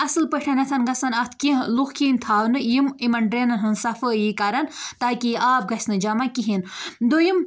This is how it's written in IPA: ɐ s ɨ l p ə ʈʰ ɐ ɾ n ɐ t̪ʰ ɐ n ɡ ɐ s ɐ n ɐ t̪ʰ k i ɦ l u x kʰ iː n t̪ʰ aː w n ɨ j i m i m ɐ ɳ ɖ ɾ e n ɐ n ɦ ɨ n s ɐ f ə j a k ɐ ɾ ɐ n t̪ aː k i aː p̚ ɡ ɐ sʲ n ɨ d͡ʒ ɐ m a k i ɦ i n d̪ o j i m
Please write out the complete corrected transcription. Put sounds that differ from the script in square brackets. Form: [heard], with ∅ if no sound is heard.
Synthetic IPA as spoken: ɐ s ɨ l p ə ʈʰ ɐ [∅] n ɐ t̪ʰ ɐ n ɡ ɐ s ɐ n ɐ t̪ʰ k i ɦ l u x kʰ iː n t̪ʰ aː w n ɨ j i m i m ɐ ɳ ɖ ɾ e n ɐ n ɦ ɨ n s ɐ f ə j [i] k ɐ ɾ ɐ n t̪ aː k i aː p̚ ɡ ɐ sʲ n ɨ d͡ʒ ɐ m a k i ɦ i n d̪ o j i m